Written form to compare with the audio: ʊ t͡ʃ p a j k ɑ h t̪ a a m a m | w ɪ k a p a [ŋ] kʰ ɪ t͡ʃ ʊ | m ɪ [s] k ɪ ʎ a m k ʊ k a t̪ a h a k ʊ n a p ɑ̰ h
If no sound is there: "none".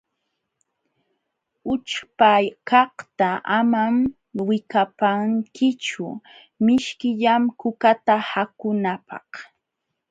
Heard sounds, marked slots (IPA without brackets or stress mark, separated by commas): ŋ, ʃ